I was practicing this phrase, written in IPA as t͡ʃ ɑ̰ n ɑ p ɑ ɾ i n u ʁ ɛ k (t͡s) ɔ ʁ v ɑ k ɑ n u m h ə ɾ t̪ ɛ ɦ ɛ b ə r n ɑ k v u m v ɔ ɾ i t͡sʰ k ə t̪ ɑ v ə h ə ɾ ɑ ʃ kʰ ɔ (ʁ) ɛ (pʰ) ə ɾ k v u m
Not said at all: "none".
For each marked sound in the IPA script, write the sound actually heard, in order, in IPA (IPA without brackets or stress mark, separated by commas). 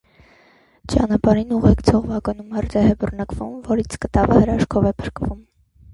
t͡sʰ, v, pʰ